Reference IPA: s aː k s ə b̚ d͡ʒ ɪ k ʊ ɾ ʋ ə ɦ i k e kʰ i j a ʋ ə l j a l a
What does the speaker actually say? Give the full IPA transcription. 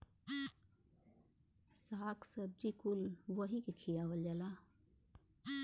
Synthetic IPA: s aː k s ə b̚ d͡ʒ i k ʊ l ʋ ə ɦ i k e kʰ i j a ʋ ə l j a l a